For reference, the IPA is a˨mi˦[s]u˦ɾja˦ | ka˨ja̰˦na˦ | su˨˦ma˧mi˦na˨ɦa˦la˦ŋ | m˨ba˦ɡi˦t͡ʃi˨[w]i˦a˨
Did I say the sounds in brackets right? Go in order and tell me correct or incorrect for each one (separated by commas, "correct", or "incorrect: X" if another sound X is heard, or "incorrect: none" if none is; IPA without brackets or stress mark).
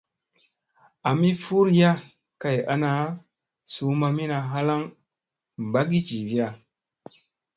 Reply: incorrect: f, incorrect: v